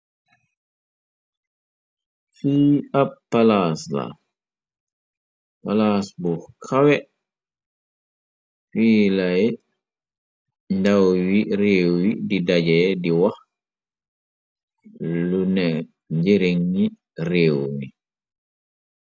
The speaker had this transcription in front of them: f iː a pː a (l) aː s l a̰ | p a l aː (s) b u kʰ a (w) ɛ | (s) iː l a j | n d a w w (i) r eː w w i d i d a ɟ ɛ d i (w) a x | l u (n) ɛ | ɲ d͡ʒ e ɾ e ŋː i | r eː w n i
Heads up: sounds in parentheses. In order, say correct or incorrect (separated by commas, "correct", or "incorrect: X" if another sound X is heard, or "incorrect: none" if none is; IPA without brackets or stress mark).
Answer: correct, correct, correct, incorrect: f, correct, correct, correct